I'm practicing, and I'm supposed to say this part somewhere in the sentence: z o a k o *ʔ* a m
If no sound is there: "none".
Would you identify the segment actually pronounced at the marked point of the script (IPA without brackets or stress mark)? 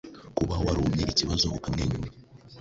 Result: k